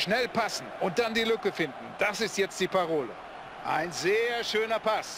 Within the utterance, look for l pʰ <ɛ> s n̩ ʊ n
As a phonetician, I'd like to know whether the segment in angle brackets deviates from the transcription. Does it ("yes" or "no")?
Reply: yes